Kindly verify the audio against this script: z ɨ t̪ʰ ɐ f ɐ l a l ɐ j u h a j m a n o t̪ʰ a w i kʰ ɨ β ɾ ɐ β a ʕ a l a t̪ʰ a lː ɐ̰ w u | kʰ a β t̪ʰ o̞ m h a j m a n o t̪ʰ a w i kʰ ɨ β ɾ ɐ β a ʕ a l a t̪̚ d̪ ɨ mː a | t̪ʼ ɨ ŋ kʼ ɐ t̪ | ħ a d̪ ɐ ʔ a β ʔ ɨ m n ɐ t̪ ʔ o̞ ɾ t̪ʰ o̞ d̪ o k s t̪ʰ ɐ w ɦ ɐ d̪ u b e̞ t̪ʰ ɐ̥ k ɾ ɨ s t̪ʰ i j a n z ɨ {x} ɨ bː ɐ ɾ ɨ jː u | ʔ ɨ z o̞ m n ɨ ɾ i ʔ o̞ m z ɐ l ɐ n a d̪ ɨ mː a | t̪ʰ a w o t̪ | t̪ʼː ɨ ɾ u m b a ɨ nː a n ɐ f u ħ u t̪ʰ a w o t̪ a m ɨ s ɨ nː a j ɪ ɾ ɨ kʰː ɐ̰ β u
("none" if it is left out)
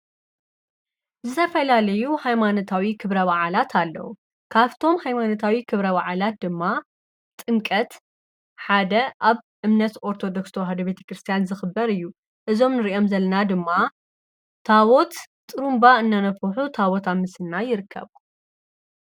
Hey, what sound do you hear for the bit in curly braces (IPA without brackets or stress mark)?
x